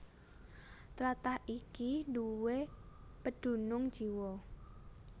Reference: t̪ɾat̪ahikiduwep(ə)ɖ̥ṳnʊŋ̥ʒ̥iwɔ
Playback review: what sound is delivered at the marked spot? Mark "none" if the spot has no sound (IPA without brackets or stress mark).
ə